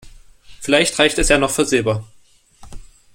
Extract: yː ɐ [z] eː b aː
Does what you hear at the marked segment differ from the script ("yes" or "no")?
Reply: no